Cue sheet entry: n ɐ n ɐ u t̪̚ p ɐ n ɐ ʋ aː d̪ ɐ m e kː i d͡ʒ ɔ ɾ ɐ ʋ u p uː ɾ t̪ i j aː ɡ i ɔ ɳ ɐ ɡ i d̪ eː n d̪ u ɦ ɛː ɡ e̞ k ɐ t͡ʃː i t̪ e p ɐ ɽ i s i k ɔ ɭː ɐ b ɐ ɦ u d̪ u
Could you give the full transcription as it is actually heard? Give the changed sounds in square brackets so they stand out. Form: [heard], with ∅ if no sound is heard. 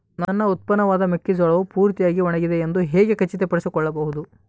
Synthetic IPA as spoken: n ɐ [nː] ɐ u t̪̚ p ɐ n ɐ ʋ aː d̪ ɐ m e kː i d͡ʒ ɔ [ɭ] ɐ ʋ u p uː ɾ t̪ i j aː ɡ i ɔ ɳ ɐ ɡ i d̪ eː n d̪ u ɦ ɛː ɡ e̞ k ɐ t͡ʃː i t̪ e p ɐ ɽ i s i k ɔ ɭː ɐ b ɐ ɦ u d̪ u